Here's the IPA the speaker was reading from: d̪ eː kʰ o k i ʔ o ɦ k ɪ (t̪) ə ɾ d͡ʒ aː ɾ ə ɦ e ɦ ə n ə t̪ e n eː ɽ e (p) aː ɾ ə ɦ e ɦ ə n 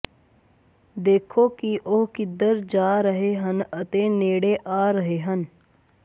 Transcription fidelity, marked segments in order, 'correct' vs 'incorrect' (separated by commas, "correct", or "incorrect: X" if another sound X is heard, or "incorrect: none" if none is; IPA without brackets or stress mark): incorrect: d̪, incorrect: ʔ